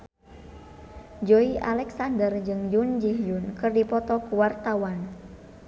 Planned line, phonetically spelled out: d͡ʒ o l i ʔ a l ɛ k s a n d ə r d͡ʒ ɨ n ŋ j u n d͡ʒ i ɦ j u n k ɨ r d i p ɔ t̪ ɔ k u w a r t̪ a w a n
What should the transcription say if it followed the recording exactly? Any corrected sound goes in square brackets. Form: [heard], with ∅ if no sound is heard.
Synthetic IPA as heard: d͡ʒ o [∅] i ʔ a l ɛ k s a n d ə r d͡ʒ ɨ [∅] ŋ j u n d͡ʒ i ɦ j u n k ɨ r d i p ɔ t̪ ɔ k u w a r t̪ a w a n